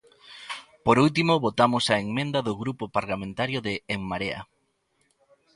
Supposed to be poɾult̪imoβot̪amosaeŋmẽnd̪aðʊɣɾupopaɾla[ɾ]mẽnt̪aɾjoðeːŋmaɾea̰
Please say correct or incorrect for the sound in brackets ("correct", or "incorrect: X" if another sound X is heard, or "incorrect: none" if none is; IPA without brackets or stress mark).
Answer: incorrect: none